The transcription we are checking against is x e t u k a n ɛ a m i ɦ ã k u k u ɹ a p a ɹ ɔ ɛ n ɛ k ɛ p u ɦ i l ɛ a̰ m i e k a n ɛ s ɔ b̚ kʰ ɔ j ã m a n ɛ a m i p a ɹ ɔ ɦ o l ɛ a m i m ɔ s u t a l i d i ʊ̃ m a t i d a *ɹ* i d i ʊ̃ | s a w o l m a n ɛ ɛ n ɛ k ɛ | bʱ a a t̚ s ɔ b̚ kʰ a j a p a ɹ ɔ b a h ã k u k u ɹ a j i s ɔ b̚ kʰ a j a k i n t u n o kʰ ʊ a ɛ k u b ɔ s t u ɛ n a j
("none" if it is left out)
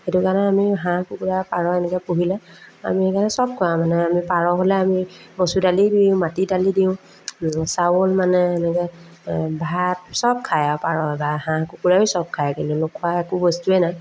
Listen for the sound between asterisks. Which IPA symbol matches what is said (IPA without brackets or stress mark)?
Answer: l